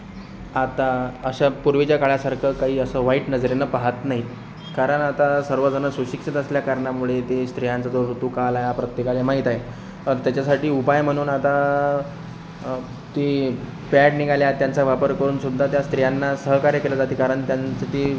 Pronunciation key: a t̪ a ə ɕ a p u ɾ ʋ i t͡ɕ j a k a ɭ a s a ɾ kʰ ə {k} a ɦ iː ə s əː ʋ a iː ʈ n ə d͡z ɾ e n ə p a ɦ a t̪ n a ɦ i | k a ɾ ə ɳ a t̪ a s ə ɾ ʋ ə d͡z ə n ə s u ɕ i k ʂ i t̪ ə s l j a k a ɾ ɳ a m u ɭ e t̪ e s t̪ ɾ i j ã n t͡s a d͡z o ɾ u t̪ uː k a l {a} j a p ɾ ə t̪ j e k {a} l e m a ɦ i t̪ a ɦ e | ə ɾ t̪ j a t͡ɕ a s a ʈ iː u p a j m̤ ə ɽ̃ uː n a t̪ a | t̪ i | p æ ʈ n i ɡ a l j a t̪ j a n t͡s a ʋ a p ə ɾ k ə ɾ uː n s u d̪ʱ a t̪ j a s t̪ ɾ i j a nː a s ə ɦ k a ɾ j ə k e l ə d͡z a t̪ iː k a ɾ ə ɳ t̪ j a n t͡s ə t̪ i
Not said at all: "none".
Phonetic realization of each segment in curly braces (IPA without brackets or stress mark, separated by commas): k, a, a